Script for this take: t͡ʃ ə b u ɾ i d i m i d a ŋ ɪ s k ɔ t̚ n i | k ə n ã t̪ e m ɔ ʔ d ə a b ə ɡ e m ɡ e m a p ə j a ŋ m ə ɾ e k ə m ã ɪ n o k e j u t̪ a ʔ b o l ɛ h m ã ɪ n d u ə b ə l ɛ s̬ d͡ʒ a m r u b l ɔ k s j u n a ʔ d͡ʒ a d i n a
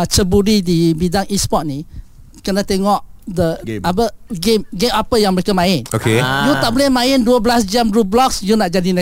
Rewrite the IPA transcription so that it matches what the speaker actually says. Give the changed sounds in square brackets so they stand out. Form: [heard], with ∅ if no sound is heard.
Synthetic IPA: t͡ʃ ə b u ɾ i d i [b] i d a ŋ [i] s [p] ɔ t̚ n i | k ə n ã t̪ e [ŋ] ɔ ʔ d ə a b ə ɡ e m ɡ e m a p ə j a ŋ m ə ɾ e k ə m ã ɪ n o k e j u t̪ a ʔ b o l ɛ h m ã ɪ n d u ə b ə l [a] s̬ d͡ʒ a m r u b l ɔ k s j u n a ʔ d͡ʒ a d i n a